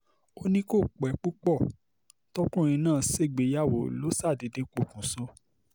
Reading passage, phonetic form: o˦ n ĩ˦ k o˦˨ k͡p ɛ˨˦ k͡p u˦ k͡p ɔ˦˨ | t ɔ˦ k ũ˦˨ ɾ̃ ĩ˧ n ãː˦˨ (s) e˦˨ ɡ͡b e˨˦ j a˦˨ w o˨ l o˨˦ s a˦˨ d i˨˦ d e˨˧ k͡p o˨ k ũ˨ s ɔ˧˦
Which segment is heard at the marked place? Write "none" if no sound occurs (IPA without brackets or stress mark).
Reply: s